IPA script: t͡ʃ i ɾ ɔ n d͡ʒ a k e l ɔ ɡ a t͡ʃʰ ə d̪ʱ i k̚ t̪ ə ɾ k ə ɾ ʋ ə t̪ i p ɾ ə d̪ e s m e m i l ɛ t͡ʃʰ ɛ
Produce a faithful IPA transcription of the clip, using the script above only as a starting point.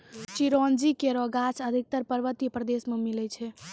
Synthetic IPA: t͡ʃ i ɾ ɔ n d͡ʒ i k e ɾ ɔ ɡ a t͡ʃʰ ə d̪ʱ i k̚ t̪ ə ɾ p ə ɾ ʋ ə t̪ i p ɾ ə d̪ e s m e m i l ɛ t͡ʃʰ ɛ